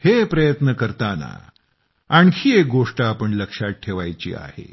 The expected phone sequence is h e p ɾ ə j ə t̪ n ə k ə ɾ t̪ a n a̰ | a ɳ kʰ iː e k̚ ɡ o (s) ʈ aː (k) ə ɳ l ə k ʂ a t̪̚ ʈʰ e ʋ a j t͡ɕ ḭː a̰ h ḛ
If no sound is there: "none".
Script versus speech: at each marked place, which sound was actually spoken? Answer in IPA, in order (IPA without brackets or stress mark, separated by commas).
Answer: ʂ, p